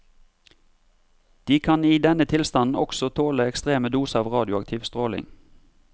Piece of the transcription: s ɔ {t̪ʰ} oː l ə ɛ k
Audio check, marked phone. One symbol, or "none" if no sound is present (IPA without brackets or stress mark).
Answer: t̪ʰ